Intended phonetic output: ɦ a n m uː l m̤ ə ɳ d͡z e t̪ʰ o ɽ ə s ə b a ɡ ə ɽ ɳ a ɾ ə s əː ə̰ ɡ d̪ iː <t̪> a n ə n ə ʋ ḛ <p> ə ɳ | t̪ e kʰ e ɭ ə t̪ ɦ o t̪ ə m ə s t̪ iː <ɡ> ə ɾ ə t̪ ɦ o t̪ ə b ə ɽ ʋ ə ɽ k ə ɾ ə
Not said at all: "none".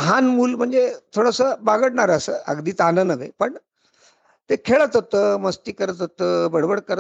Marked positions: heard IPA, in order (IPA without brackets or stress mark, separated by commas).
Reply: t̪, p, k